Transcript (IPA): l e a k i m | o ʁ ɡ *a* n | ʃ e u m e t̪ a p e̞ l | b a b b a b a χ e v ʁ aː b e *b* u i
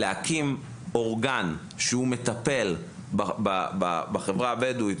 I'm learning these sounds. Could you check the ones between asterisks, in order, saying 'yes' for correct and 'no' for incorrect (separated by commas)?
yes, no